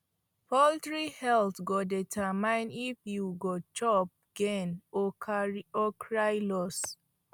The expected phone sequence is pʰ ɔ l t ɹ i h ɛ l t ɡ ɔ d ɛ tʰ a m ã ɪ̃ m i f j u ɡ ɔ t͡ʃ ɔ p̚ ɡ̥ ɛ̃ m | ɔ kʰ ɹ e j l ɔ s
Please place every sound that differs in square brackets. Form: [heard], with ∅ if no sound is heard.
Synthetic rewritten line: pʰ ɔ l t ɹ i h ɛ l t ɡ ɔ d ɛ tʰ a m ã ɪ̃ [n] i f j u ɡ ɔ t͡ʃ ɔ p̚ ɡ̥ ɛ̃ [n] | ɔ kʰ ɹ [a] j l ɔ s

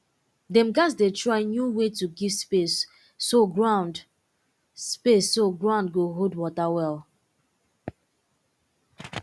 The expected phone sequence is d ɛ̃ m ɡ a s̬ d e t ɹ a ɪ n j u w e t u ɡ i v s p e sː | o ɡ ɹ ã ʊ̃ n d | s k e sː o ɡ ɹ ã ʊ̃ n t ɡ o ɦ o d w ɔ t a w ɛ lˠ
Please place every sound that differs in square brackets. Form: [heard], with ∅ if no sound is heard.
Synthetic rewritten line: d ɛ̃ m ɡ a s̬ d e t ɹ a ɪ n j u w e t u ɡ i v s p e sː | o ɡ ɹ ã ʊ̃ n d | s [p] e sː o ɡ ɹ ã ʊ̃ n [d] ɡ o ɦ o d w ɔ t a w ɛ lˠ

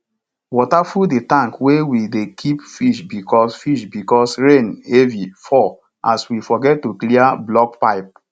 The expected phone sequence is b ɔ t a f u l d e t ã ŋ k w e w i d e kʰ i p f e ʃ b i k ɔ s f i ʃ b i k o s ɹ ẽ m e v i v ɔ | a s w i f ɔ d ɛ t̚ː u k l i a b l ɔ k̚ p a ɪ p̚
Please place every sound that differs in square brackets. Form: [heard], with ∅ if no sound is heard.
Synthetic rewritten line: [w] ɔ t a f u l d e t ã ŋ k w e w i d e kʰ i p f [i] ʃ b i k ɔ s f i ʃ b i k [ɔ] s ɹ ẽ [n] e v i [f] ɔ | a s w i f ɔ [ɡ] ɛ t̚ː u k l i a b l ɔ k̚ p a ɪ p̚

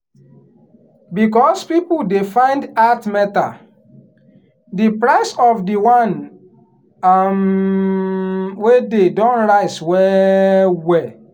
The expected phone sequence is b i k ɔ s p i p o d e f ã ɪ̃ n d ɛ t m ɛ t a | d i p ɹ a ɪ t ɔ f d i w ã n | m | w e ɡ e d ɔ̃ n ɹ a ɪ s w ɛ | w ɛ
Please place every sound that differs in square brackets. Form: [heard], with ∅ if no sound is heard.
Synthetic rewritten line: b i k ɔ s p i p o d e f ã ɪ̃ n d [a] t m ɛ t a | d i p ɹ a ɪ [s] ɔ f d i w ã n | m | w e [d] e d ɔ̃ n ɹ a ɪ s w ɛ | w ɛ

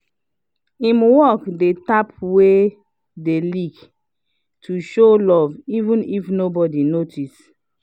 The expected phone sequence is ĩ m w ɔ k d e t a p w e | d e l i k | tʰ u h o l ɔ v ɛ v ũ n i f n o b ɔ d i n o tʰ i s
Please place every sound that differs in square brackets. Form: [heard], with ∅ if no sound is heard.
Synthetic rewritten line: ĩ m w ɔ k d e t a p w e | d e l i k | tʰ u [ʃ] o l ɔ v [i] v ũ n i f n o b ɔ d i n o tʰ i s

